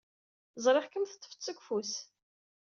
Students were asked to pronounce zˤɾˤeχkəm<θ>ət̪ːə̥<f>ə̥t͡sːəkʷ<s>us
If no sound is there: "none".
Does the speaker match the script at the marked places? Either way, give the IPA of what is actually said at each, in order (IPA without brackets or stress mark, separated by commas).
θ, f, f